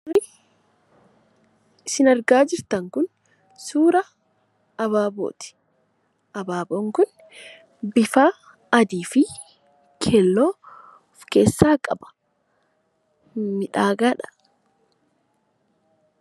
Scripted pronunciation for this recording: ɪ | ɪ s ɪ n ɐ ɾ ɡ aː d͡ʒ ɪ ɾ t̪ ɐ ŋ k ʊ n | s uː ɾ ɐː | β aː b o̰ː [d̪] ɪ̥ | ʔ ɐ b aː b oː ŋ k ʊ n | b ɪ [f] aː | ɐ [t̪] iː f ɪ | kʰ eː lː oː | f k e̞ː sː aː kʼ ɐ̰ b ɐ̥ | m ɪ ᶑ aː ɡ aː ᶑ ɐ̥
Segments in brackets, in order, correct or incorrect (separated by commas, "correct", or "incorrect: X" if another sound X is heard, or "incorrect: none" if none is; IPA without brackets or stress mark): incorrect: t̪, correct, incorrect: d̪